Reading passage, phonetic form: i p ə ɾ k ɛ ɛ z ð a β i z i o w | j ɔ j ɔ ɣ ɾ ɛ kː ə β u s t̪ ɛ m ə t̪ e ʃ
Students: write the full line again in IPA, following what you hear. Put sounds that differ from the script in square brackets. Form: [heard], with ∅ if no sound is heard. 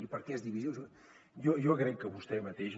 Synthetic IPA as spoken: i p ə ɾ k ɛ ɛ z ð [i] β i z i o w | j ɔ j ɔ ɣ ɾ ɛ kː ə β u s t̪ ɛ m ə t̪ e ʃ